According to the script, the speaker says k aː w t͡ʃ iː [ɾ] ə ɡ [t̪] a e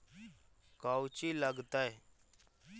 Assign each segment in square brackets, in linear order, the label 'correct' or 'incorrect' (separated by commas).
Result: incorrect, correct